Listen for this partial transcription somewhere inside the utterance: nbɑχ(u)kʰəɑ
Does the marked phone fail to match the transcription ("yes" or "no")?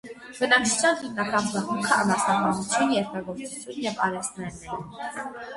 no